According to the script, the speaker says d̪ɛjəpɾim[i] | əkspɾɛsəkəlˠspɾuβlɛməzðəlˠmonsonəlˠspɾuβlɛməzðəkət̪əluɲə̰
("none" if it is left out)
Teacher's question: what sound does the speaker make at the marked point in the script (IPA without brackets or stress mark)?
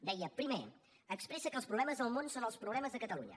e